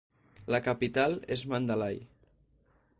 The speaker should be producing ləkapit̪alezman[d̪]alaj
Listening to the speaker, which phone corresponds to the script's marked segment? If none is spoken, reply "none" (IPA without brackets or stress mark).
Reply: d̪